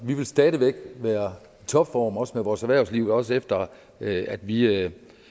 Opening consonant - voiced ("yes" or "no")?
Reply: yes